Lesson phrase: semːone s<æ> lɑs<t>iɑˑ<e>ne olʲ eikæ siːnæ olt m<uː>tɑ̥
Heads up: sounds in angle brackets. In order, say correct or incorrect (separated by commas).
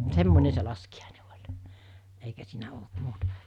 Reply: incorrect, incorrect, incorrect, correct